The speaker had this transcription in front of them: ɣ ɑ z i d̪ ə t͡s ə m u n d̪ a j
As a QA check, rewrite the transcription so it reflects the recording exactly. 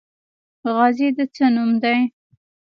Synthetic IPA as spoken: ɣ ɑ z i d̪ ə t͡s ə n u m d̪ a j